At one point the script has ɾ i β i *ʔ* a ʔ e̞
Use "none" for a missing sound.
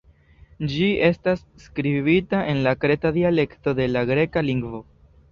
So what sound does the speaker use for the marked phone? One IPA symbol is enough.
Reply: t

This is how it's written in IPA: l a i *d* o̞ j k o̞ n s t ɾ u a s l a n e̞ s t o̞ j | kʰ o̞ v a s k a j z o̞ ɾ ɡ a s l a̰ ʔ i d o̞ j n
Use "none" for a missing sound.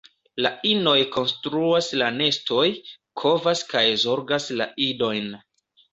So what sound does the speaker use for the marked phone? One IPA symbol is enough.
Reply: n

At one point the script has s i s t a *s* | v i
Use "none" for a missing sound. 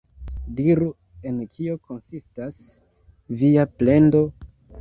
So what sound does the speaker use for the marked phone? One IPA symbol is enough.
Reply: s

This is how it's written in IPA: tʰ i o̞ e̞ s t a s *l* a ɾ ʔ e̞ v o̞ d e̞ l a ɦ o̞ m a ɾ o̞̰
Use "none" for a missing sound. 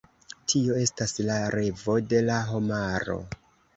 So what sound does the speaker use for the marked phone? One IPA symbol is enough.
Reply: l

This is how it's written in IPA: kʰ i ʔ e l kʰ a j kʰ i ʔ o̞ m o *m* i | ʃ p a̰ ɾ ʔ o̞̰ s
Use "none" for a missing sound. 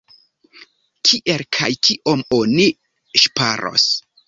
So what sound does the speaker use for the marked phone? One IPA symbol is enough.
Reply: n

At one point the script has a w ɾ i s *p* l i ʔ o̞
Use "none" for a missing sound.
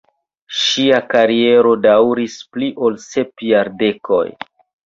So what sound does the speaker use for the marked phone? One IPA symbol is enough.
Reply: p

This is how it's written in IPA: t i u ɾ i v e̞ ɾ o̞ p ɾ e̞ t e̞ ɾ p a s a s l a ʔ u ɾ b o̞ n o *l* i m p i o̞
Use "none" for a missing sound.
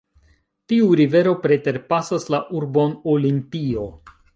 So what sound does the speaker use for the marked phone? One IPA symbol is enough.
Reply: l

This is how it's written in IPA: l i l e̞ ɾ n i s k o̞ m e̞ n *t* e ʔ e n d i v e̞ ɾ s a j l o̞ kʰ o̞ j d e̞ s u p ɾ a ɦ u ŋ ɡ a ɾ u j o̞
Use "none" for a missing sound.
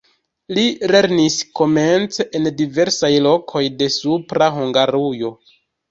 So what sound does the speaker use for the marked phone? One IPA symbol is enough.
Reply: t͡s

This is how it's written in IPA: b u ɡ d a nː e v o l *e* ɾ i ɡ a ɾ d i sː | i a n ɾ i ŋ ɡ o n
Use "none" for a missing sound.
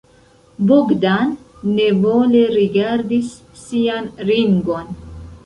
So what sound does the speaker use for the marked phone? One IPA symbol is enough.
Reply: e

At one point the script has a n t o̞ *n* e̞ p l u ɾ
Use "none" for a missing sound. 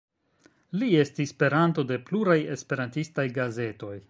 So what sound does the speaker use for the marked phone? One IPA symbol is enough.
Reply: d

